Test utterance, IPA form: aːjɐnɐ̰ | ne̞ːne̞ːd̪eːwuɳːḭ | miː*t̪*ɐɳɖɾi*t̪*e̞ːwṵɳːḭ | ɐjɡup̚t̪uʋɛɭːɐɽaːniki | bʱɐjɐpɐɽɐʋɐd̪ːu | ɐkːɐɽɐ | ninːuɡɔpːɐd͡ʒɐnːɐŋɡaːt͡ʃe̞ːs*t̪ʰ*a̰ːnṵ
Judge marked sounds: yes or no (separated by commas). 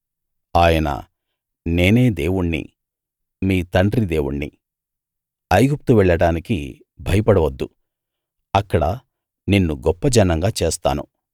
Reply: yes, no, no